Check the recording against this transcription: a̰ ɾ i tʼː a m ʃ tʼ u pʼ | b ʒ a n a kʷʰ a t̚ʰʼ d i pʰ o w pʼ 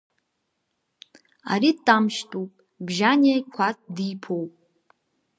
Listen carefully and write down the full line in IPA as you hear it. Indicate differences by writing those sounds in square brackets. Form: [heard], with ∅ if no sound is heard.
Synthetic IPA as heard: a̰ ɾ i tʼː a m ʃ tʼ u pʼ | b ʒ a n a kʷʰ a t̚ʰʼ d i pʰ o w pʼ